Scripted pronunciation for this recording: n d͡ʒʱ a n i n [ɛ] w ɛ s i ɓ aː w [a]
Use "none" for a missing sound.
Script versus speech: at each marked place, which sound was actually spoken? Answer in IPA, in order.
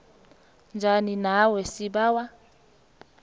a, a

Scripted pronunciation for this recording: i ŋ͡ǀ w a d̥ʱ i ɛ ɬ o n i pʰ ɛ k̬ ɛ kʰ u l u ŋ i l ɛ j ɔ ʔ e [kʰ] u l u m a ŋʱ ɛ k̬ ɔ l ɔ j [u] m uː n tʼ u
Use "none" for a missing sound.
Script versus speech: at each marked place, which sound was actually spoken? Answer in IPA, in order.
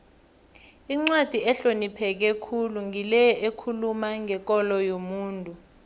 kʰ, o

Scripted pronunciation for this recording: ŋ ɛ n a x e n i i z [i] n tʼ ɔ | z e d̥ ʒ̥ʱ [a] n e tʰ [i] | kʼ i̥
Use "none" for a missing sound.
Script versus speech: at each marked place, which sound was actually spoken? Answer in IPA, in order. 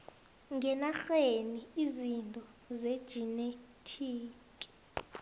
i, i, iː

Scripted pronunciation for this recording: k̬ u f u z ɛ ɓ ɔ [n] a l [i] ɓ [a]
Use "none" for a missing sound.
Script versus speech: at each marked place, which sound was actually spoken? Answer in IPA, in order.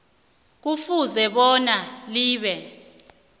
n, iː, ɛ

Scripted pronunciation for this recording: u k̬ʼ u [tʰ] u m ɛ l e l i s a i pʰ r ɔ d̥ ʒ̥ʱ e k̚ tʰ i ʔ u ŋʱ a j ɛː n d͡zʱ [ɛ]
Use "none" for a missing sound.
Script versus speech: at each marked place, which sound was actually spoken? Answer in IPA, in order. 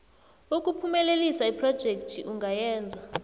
pʰ, a

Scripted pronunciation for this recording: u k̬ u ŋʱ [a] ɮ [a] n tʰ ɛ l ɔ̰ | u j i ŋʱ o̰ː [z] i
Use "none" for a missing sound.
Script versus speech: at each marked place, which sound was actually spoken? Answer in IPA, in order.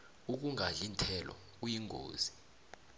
a, i, z

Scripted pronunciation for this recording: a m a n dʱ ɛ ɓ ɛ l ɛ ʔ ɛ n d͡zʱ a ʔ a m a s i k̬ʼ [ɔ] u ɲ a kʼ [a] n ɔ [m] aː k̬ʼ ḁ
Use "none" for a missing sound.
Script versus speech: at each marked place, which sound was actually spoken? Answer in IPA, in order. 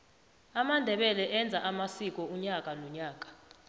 ɔ, a, ɲ

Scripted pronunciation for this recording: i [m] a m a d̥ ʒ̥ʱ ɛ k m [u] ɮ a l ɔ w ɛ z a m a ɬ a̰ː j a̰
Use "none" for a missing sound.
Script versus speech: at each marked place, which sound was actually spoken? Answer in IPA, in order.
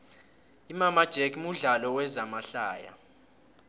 m, u

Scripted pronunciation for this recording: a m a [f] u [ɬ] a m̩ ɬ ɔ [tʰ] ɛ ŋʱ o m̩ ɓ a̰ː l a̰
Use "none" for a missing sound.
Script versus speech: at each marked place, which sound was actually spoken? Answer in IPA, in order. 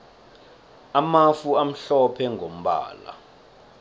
f, none, pʰ

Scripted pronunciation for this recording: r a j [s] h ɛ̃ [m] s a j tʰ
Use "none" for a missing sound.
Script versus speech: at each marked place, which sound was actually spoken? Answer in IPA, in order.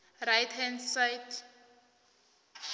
t, n

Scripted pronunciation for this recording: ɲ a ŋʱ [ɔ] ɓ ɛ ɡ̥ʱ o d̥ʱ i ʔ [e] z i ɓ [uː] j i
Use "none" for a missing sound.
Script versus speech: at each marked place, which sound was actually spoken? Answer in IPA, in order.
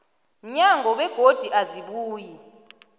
ɔ, a, uː

